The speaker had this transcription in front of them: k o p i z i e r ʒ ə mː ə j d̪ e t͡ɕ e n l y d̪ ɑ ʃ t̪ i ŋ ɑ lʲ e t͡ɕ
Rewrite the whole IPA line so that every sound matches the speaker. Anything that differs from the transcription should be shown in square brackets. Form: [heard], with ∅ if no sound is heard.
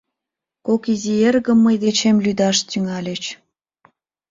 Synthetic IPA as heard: k o [k] i z i e r [ɣ] ə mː ə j d̪ e t͡ɕ e [m] l y d̪ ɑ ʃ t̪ [y] ŋ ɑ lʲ e t͡ɕ